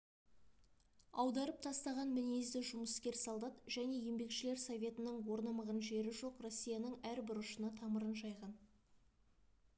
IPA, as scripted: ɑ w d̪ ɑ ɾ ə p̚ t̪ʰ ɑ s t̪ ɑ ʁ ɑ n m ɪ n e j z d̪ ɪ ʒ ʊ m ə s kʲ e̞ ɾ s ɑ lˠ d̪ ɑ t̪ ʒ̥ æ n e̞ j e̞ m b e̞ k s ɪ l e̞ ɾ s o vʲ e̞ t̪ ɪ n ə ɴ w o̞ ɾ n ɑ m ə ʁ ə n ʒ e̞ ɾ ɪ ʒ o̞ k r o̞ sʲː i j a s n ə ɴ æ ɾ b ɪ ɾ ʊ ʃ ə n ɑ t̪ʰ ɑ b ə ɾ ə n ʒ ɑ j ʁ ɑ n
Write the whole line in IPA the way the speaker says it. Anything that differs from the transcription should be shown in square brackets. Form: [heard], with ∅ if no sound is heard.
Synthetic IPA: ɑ w d̪ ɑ ɾ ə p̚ t̪ʰ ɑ s t̪ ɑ ʁ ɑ n m ɪ n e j z d̪ ɪ ʒ ʊ m ə s kʲ e̞ ɾ s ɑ lˠ d̪ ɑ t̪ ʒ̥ æ n e̞ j e̞ m b e̞ k [ʃ] ɪ l e̞ ɾ s o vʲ e̞ t̪ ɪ n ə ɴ w o̞ ɾ n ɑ m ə ʁ ə n ʒ e̞ ɾ ɪ ʒ o̞ [q] r o̞ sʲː i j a [∅] n ə ɴ æ ɾ b ɪ ɾ ʊ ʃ ə n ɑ t̪ʰ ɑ [m] ə ɾ ə n ʒ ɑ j ʁ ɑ n